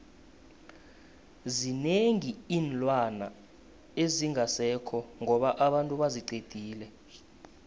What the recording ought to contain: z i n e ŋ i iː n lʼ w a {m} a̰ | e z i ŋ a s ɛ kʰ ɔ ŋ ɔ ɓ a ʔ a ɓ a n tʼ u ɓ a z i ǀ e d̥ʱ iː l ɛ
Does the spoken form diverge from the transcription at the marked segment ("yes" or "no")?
yes